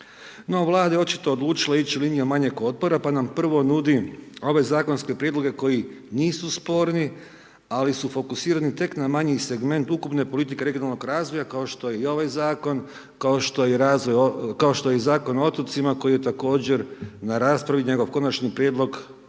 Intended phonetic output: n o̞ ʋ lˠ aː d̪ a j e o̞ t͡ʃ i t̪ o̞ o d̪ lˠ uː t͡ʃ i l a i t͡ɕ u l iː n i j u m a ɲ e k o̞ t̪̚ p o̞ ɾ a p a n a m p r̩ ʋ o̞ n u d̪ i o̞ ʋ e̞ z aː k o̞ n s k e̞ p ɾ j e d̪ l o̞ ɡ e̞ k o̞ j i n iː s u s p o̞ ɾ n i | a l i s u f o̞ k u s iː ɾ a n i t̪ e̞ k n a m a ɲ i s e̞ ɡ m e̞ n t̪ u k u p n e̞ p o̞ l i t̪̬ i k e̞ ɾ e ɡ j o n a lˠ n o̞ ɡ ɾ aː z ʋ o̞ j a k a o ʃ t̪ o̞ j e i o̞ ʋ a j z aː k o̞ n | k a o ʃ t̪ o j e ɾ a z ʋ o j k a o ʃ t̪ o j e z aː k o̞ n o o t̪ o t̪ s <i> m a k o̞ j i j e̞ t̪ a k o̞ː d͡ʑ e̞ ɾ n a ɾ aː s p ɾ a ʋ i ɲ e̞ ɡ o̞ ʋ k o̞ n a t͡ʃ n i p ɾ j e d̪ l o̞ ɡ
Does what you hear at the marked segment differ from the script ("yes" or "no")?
no